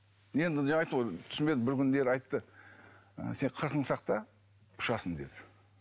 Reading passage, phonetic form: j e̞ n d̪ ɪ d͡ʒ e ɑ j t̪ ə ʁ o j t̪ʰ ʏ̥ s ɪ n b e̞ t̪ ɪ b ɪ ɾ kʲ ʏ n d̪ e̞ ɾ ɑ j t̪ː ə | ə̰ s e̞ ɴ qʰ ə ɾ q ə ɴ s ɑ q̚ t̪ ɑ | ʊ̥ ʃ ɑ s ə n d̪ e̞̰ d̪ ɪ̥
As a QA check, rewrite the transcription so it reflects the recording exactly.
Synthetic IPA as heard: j e̞ n d̪ ɪ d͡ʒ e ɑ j t̪ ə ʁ o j t̪ʰ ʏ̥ s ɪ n b e̞ d̪ ɪ b ɪ ɾ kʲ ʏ n d̪ e̞ ɾ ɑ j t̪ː ə | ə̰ s e̞ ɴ qʰ ə ɾ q ə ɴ s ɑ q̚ t̪ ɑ | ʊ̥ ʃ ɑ s ə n d̪ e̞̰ d̪ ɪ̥